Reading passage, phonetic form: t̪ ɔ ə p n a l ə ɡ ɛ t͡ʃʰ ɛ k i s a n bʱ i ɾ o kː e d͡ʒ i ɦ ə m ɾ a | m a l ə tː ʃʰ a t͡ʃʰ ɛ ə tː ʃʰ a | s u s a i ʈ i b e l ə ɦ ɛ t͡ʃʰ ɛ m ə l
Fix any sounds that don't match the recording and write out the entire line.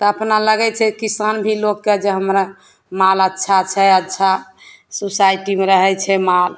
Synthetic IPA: t̪ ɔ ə p n a l ə ɡ ɛ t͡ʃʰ ɛ k i s a n bʱ i l o kː e d͡ʒ e ɦ ə m ɾ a | m a l ə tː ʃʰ a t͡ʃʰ ɛ ə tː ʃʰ a | s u s a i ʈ i m e ɾ ə ɦ ɛ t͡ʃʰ ɛ m a l

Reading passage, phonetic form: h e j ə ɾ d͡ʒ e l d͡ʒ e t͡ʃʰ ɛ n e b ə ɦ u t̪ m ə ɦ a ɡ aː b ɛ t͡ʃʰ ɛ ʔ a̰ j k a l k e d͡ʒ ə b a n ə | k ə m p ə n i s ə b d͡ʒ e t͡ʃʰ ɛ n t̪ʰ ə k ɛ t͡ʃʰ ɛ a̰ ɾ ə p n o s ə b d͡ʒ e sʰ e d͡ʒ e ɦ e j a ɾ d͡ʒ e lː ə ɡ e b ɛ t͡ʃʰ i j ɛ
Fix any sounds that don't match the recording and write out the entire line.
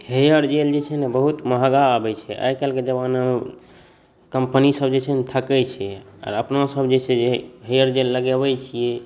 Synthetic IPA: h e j ə ɾ d͡ʒ e l d͡ʒ e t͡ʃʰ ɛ n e b ə ɦ u t̪ m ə ɦ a ɡ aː b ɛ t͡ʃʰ ɛ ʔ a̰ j k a l k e d͡ʒ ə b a n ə | k ə m p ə n i s ə b d͡ʒ e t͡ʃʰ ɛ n t̪ʰ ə k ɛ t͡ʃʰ ɛ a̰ ɾ ə p n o s ə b d͡ʒ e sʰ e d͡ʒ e ɦ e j ə ɾ d͡ʒ e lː ə ɡ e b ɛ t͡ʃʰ i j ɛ

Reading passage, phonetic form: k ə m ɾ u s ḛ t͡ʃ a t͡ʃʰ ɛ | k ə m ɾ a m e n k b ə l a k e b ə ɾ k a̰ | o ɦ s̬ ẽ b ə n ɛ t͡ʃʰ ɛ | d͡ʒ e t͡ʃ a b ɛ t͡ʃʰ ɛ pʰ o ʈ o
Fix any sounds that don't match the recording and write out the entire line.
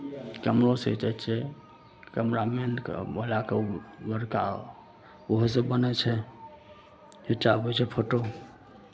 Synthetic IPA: k ə m ɾ o s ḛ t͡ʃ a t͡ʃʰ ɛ | k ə m ɾ a m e n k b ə l a k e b ə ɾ k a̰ | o ɦ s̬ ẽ b ə n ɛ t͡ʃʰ ɛ | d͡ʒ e t͡ʃ a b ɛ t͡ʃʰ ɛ pʰ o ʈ o

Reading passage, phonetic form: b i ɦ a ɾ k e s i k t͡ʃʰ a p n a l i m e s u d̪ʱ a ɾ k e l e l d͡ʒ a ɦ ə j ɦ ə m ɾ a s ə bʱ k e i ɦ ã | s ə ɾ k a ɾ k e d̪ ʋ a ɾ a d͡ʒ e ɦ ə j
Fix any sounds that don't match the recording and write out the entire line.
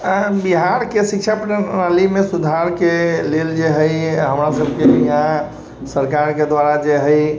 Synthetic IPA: b i ɦ a ɾ k e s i k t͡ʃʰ a p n a l i m e s u d̪ʱ a ɾ k e l e l d͡ʒ e ɦ ə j ɦ ə m ɾ a s ə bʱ k e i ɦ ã | s ə ɾ k a ɾ k e d̪ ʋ a ɾ a d͡ʒ e ɦ ə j

